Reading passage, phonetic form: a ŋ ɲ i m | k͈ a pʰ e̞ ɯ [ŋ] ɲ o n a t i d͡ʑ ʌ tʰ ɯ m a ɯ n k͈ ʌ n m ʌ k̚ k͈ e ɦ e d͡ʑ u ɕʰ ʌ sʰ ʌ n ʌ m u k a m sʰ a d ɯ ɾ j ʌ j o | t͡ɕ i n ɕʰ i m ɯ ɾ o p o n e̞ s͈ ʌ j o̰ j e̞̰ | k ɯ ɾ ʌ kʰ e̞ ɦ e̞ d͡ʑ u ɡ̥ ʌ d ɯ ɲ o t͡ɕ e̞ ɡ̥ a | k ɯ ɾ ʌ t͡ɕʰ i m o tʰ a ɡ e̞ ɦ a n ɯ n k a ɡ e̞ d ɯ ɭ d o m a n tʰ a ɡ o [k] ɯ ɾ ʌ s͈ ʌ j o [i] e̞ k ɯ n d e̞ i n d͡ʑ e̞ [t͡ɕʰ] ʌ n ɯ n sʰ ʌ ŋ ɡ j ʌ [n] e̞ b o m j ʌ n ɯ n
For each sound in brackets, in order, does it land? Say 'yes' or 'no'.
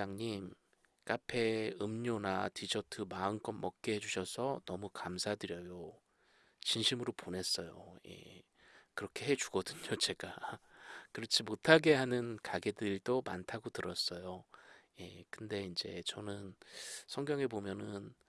no, no, no, no, no

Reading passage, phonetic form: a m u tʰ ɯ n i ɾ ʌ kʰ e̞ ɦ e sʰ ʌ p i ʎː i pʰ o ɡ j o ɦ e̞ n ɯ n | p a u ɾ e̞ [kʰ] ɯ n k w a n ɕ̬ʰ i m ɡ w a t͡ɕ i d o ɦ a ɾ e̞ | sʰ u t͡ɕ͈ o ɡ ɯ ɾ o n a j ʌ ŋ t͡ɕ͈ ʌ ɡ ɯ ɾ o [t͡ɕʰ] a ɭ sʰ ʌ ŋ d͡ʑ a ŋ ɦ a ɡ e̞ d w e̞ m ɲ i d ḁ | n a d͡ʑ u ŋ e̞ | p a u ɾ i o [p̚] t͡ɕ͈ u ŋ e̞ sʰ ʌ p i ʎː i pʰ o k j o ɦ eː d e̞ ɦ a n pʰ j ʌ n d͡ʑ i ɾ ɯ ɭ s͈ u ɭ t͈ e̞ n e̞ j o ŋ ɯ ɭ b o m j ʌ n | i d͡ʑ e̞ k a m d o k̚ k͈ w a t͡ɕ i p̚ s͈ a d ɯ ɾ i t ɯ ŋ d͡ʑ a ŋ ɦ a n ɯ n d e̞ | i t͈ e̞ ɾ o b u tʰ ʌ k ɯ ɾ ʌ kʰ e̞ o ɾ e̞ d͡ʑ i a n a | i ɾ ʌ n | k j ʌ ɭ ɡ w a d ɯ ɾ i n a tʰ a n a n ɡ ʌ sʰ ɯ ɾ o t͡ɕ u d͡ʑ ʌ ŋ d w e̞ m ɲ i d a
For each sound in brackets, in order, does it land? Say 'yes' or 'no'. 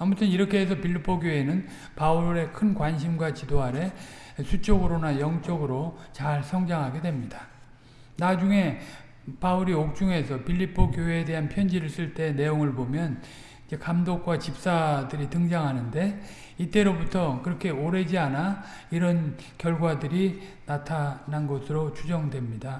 yes, no, no

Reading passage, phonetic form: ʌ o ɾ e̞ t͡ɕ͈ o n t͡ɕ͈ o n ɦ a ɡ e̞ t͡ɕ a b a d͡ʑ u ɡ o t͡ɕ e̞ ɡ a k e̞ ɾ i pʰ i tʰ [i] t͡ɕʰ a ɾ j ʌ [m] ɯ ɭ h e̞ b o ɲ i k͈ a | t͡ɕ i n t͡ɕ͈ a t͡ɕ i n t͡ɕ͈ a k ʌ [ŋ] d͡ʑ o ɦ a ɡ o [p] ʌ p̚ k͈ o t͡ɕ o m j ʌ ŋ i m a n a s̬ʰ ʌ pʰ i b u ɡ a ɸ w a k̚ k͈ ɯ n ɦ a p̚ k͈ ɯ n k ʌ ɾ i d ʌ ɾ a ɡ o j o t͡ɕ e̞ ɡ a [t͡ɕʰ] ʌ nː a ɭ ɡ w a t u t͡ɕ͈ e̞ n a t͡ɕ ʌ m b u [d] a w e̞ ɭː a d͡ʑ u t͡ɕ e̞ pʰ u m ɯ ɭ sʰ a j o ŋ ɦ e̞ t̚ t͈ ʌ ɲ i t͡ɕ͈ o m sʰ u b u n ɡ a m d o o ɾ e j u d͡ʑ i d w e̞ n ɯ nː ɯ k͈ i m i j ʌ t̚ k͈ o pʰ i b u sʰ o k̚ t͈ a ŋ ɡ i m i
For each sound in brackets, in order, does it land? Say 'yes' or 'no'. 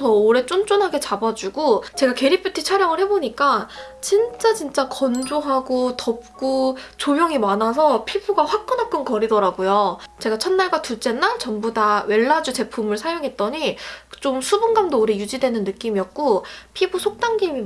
yes, no, no, no, yes, yes

